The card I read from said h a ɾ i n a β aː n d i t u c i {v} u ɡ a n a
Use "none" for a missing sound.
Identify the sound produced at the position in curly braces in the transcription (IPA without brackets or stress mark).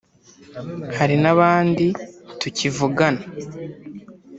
v